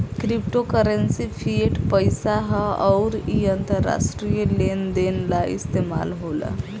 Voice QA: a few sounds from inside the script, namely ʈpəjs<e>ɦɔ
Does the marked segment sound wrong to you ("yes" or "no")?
yes